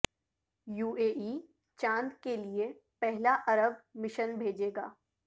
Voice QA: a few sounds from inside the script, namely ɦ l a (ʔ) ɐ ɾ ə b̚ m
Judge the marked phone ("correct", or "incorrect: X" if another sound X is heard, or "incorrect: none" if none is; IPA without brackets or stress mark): correct